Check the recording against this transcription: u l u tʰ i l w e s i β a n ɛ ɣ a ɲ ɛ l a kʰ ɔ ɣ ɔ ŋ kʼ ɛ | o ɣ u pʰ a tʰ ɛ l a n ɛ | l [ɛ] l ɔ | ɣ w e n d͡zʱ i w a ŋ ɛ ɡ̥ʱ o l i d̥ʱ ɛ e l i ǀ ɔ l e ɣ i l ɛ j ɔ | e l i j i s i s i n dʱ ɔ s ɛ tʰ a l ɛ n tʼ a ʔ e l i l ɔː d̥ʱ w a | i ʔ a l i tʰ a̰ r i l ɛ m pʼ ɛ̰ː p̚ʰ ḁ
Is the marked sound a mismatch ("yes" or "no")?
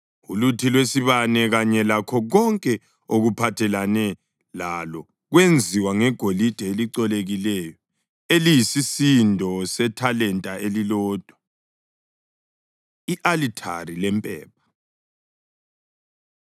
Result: yes